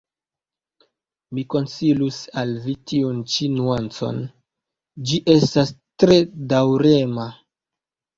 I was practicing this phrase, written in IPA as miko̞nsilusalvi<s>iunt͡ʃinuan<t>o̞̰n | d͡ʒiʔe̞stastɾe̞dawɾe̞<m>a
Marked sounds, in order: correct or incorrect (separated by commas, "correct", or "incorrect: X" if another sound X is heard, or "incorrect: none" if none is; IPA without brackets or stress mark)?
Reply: incorrect: t, incorrect: t͡s, correct